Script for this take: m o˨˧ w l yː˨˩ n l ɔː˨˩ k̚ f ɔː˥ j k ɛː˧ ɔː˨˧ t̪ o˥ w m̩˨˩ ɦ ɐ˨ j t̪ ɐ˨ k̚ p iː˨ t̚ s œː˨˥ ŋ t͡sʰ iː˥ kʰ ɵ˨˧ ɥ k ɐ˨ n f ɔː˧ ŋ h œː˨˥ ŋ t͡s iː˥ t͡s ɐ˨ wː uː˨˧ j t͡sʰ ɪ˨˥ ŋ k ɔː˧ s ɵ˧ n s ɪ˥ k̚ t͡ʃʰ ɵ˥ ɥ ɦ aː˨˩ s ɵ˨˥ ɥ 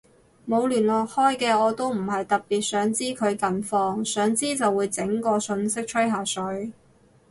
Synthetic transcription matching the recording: m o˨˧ w l yː˨˩ n l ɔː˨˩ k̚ h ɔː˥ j k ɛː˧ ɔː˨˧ t̪ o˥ w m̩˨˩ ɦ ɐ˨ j t̪ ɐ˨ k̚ p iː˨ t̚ s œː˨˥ ŋ t͡s iː˥ kʰ ɵ˨˧ ɥ k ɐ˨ n f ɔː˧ ŋ s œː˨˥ ŋ t͡s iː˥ t͡s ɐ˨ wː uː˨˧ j t͡s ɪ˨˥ ŋ k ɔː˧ s ɵ˧ n s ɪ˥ k̚ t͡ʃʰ ɵ˥ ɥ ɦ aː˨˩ s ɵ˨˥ ɥ